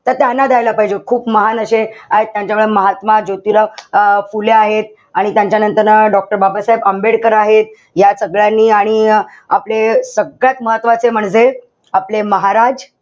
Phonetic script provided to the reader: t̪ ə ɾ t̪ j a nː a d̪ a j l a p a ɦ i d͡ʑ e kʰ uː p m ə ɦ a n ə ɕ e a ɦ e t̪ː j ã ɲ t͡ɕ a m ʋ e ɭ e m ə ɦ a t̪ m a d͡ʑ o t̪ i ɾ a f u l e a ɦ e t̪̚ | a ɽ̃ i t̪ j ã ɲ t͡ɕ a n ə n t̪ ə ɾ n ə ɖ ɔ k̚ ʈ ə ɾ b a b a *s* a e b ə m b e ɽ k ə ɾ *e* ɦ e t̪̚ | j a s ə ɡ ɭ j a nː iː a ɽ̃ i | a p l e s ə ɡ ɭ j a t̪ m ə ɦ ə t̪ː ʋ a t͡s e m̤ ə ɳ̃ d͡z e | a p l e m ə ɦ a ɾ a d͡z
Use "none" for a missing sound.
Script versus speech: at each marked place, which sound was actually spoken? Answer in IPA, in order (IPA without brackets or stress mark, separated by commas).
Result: s, a